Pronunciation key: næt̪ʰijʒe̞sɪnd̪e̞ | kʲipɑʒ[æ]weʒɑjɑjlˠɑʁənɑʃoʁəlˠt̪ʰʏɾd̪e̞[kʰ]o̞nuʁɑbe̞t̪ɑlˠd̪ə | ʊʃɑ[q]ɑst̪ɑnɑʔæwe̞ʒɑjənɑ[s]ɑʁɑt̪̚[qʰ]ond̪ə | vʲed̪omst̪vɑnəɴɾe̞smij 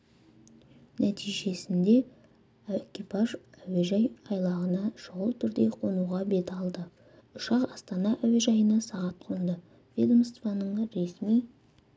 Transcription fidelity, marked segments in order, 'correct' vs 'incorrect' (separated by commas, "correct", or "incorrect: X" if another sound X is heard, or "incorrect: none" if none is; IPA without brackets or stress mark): correct, incorrect: qʰ, correct, correct, correct